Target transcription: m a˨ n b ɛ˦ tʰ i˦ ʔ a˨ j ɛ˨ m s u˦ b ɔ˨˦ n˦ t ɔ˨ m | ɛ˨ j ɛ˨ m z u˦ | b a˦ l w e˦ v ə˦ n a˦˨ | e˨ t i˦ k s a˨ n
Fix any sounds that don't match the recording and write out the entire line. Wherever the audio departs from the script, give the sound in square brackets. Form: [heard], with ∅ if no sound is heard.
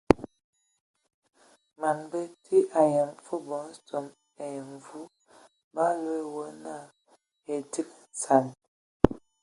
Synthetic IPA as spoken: m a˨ n b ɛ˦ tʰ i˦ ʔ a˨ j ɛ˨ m [f] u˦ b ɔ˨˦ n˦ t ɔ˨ m | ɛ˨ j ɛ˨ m [v] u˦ | b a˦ l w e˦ [w] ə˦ n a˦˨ | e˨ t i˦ k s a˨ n